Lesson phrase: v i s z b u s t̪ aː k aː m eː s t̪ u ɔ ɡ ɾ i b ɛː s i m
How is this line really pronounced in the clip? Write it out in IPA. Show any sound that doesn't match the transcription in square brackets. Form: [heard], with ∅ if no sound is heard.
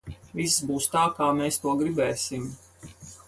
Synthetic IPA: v i s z b [uː] s t̪ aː k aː m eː s t̪ u ɔ ɡ ɾ i b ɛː s i m